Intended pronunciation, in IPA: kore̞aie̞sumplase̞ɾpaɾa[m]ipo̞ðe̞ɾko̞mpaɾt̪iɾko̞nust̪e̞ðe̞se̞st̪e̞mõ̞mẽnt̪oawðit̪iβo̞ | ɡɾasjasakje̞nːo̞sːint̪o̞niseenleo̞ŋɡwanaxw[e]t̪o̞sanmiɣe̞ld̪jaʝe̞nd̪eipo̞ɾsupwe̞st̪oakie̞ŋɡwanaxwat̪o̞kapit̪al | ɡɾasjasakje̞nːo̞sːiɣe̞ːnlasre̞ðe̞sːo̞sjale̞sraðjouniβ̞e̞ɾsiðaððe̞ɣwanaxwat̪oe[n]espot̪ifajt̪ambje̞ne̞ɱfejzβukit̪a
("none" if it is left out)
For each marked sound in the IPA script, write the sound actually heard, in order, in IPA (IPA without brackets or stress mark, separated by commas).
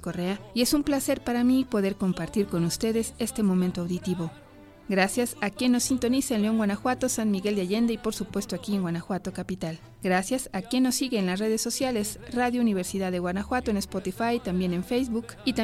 m, a, n